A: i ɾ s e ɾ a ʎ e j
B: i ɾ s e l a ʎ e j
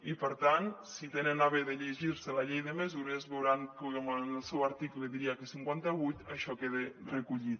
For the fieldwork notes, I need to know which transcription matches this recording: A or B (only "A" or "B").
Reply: B